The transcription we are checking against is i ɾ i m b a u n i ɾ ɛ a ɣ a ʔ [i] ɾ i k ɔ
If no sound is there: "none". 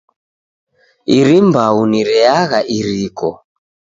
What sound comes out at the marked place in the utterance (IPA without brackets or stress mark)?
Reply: i